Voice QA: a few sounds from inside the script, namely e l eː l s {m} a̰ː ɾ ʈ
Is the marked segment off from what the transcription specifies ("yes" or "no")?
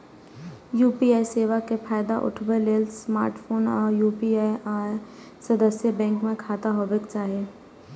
no